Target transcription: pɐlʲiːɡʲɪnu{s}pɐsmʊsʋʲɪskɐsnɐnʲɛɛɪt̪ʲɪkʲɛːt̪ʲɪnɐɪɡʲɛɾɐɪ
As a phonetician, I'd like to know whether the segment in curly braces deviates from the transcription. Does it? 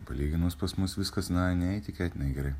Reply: no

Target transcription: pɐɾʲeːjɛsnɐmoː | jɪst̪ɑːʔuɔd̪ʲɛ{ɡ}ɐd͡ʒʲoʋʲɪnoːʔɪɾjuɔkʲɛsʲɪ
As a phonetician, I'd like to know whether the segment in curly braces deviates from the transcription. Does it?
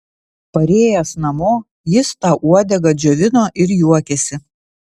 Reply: no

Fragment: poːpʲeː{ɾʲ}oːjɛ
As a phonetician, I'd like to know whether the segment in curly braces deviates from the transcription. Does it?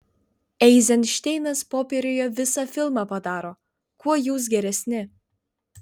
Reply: no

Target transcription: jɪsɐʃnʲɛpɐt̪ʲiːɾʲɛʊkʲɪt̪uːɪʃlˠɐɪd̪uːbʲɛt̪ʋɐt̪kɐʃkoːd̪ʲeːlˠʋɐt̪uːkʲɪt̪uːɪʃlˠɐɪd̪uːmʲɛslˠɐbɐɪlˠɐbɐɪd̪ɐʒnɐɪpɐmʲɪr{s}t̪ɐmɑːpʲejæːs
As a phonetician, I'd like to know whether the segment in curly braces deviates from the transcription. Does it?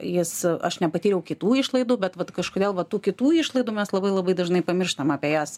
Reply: yes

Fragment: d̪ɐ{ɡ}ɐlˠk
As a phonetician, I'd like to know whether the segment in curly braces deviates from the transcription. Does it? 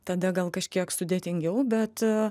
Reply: no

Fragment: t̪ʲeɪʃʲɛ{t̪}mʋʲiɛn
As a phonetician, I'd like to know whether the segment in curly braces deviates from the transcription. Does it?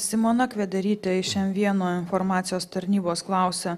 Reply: yes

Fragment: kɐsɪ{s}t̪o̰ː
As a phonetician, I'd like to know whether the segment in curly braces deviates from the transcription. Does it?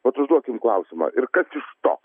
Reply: yes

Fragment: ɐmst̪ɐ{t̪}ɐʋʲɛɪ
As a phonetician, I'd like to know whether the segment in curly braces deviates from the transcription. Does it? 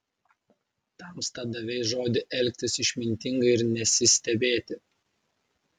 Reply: yes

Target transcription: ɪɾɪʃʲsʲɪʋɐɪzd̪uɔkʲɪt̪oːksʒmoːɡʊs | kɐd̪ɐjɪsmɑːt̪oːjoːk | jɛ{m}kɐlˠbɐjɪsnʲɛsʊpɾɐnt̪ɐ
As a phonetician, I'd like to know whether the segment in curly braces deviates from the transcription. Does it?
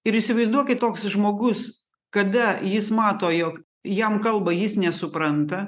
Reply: no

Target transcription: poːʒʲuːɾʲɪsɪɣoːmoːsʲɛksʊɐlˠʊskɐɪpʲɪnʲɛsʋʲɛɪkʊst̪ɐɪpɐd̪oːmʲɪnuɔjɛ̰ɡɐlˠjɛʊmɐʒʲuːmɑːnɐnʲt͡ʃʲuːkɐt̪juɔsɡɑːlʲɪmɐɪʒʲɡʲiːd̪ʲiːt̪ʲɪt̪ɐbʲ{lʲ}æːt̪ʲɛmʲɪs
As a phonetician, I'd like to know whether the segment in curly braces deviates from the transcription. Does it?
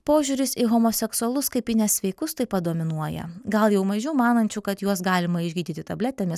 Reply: no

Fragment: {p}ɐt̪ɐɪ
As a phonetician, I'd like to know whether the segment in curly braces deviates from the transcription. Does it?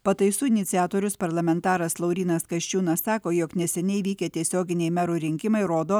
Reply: no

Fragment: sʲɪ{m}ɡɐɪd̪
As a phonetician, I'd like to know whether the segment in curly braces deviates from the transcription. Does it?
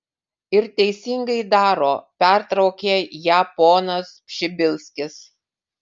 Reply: yes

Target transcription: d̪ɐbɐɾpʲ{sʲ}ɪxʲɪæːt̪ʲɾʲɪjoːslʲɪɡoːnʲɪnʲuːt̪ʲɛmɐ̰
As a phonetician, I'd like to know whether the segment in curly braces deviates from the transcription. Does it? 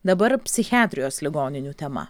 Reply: no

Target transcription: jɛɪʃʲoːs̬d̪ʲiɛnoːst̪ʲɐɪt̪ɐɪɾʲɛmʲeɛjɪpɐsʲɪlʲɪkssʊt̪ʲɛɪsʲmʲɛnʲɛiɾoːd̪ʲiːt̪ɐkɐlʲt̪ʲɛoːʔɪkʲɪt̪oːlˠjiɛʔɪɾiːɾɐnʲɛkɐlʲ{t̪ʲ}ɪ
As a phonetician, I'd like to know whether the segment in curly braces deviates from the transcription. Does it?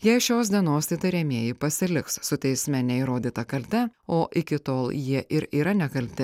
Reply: no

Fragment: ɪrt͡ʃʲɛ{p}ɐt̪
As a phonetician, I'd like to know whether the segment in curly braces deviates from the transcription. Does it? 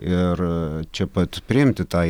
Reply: no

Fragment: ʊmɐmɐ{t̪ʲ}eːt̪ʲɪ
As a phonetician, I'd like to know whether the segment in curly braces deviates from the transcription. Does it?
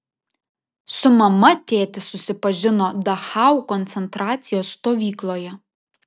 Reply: no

